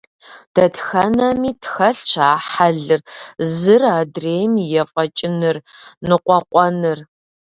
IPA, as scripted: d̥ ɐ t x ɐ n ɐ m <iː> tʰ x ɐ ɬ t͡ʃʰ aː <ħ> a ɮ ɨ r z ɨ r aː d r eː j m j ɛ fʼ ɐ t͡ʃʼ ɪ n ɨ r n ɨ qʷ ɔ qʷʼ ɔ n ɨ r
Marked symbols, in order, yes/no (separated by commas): yes, yes